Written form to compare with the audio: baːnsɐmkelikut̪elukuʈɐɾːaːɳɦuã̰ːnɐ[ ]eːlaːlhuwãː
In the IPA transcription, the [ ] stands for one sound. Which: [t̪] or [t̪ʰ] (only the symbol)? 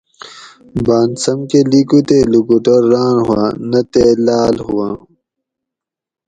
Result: t̪